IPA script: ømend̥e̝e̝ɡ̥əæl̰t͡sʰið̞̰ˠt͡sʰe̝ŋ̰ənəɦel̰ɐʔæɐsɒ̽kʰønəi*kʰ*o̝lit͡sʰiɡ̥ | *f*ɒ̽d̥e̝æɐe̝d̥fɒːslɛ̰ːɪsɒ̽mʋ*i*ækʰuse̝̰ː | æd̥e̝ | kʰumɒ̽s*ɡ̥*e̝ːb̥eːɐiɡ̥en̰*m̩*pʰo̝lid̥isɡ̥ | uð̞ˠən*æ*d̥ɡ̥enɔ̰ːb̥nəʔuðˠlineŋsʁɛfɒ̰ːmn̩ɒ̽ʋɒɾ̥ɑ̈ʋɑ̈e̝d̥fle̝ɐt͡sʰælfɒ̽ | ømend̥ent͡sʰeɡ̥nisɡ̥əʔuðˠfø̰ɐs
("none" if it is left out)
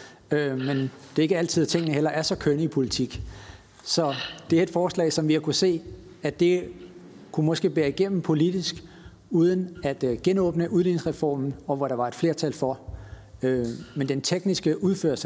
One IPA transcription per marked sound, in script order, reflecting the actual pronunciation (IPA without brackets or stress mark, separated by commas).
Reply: pʰ, s, i, ɡ̥, m̩, æ